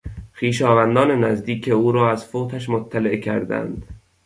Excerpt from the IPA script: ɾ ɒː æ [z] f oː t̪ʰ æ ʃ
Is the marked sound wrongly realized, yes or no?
no